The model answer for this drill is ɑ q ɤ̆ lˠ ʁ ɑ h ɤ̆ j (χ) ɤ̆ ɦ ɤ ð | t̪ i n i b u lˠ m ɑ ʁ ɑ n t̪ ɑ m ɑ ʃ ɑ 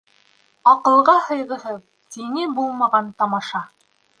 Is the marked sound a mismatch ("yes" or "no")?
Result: yes